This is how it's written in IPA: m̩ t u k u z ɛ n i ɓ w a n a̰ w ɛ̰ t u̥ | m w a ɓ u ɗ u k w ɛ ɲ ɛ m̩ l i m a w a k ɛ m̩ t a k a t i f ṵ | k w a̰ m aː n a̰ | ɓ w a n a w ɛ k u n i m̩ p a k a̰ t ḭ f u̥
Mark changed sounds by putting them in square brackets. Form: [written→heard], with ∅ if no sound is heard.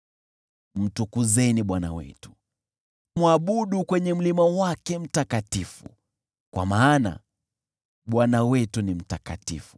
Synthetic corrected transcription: m̩ t u k u z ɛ n i ɓ w a n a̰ w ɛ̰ t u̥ | m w a ɓ u ɗ u k w ɛ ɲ ɛ m̩ l i m a w a k ɛ m̩ t a k a t i f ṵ | k w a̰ m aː n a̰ | ɓ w a n a w ɛ [k→t] u n i m̩ [p→t] a k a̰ t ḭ f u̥

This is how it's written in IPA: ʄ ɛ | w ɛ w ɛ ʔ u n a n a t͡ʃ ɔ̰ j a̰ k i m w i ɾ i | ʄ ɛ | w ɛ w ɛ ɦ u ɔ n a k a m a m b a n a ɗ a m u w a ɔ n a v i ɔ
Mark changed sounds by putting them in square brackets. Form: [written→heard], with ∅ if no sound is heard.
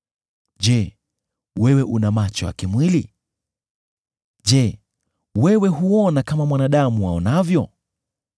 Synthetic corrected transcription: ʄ ɛ | w ɛ w ɛ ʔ u n a [n→m] a t͡ʃ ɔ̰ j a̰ k i m w i [ɾ→l] i | ʄ ɛ | w ɛ w ɛ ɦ u ɔ n a k a m a m [b→w] a n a ɗ a m u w a ɔ n a v [i→j] ɔ

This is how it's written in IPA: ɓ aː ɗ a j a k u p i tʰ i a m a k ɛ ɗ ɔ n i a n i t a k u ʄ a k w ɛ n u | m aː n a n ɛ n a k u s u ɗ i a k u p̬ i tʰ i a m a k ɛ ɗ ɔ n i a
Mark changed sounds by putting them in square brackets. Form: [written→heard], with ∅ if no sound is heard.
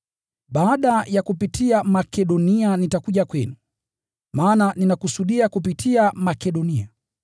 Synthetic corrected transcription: ɓ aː ɗ a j a k u p i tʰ i a m a k ɛ ɗ ɔ n i a n i t a k u ʄ a k w ɛ n u | m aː n a n [ɛ→i] n a k u s u ɗ i a k u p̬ i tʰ i a m a k ɛ ɗ ɔ n i a

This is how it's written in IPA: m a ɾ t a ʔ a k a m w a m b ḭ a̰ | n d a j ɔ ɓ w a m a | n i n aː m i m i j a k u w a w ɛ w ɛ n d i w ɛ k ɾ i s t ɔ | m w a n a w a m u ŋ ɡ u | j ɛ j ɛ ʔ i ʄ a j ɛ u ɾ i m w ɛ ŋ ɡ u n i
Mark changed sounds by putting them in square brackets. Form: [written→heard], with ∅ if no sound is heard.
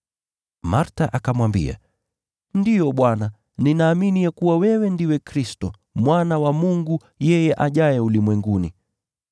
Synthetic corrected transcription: m a ɾ t a ʔ a k a m w a m b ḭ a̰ | n d [a→i] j ɔ ɓ w a [m→n] a | n i n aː m i [m→n] i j a k u w a w ɛ w ɛ n d i w ɛ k ɾ i s t ɔ | m w a n a w a m u ŋ ɡ u | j ɛ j ɛ ʔ [i→a] ʄ a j ɛ u [ɾ→l] i m w ɛ ŋ ɡ u n i

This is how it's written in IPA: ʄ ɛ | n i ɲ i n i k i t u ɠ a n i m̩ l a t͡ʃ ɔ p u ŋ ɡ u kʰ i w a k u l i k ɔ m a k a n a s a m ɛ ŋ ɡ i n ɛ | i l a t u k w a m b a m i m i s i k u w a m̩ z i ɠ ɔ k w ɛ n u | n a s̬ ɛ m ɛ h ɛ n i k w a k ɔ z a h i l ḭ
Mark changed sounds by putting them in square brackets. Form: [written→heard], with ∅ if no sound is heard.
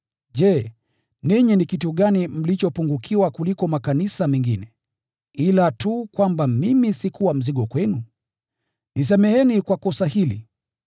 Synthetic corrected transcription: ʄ ɛ | n i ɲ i n i k i t u ɠ a n i m̩ l [a→i] t͡ʃ ɔ p u ŋ ɡ u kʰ i w a k u l i k ɔ m a k a n [a→i] s a m ɛ ŋ ɡ i n ɛ | i l a t u k w a m b a m i m i s i k u w a m̩ z i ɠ ɔ k w ɛ n u | n [a→i] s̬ ɛ m ɛ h ɛ n i k w a k ɔ [z→s] a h i l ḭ

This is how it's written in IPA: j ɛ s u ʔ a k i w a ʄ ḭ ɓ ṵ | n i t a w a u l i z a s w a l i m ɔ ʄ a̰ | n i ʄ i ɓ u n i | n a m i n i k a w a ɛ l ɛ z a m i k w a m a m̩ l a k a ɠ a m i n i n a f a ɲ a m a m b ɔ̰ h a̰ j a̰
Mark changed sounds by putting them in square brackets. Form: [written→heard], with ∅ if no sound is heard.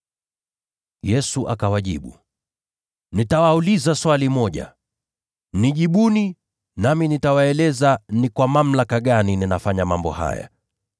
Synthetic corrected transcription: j ɛ s u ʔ a k [i→a] w a ʄ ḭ ɓ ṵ | n i t a w a u l i z a s w a l i m ɔ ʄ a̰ | n i ʄ i ɓ u n i | n a m i n i [k→t] a w a ɛ l ɛ z a [m→n] i k w a m a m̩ l a k a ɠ a [m→n] i n i n a f a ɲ a m a m b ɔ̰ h a̰ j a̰

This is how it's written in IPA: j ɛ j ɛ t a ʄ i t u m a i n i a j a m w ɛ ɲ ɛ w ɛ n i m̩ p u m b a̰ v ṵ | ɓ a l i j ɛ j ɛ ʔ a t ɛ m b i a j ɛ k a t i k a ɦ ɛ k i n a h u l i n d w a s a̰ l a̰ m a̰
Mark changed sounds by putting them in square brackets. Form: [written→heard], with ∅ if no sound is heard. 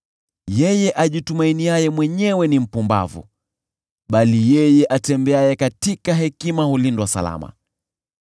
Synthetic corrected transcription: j ɛ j ɛ [t→ʔ] a ʄ i t u m a i n i a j [a→ɛ] m w ɛ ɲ ɛ w ɛ n i m̩ p u m b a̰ v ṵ | ɓ a l i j ɛ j ɛ ʔ a t ɛ m b [i→ɛ] a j ɛ k a t i k a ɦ ɛ k i [n→m] a h u l i n d w a s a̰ l a̰ m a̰

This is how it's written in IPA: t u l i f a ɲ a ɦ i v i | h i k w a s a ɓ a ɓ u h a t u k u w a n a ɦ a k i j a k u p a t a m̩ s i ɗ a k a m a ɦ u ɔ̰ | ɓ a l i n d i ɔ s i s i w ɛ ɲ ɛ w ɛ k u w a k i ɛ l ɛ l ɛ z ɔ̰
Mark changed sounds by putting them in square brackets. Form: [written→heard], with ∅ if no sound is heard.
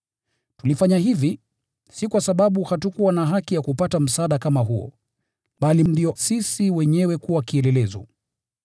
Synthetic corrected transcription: t u l i f a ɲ a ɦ i v i | [h→s] i k w a s a ɓ a ɓ u h a t u k u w a n a ɦ a k i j a k u p a t a m̩ s [i→a] ɗ a k a m a ɦ u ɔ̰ | ɓ a l i n d i ɔ s i s i w ɛ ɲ ɛ w ɛ k u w a k i ɛ l ɛ l ɛ z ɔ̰

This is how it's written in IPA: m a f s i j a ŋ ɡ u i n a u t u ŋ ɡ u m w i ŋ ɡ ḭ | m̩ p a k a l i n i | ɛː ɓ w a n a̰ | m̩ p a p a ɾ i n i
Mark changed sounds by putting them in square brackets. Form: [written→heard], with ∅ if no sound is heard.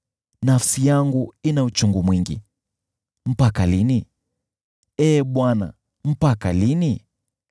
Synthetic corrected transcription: [m→n] a f s i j a ŋ ɡ u i n a u [t→t͡ʃ] u ŋ ɡ u m w i ŋ ɡ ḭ | m̩ p a k a l i n i | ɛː ɓ w a n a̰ | m̩ p a [p→k] a [ɾ→l] i n i

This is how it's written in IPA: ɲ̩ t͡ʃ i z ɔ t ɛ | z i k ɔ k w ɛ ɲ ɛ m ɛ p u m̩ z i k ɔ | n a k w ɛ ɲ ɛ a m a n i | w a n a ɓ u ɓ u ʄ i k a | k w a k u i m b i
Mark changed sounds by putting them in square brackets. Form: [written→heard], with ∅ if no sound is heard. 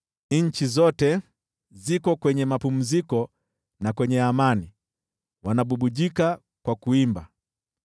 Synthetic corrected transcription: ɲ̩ t͡ʃ i z ɔ t ɛ | z i k ɔ k w ɛ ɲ ɛ m [ɛ→a] p u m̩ z i k ɔ | n a k w ɛ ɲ ɛ a m a n i | w a n a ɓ u ɓ u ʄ i k a | k w a k u i m b [i→a]

